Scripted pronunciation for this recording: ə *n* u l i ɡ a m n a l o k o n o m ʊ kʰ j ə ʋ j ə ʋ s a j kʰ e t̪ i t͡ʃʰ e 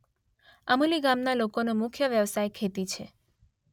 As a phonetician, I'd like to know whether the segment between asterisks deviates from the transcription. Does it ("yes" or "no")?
yes